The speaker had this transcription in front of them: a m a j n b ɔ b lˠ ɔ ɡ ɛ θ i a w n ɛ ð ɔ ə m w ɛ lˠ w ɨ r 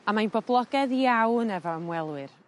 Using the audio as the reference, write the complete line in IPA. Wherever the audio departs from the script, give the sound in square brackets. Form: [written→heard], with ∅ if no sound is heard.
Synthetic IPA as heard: a m a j n b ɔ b lˠ ɔ ɡ ɛ [θ→ð] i a w n ɛ [ð→v] ɔ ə m w ɛ lˠ w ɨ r